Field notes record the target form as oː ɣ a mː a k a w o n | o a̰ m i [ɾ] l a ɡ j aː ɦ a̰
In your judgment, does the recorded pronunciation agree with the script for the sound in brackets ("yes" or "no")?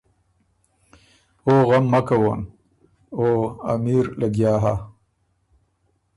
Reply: yes